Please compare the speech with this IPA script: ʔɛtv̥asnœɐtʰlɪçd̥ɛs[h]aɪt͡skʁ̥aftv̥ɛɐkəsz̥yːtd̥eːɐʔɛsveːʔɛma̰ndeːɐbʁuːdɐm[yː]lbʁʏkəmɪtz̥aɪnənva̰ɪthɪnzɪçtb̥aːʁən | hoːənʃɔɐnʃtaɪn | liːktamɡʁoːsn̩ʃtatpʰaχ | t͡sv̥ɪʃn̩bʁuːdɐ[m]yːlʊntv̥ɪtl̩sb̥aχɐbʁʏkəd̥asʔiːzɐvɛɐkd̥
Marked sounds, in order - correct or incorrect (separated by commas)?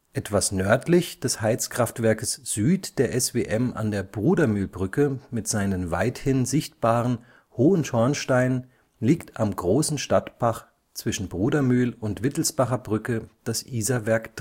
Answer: correct, correct, correct